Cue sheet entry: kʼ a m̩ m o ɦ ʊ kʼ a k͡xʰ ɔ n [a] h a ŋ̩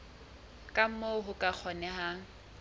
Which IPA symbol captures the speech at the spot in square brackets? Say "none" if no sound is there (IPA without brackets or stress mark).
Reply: ɛ